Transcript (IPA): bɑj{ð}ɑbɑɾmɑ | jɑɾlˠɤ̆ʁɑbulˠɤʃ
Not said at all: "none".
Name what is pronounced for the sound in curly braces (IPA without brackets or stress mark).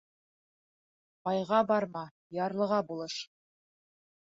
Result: ʁ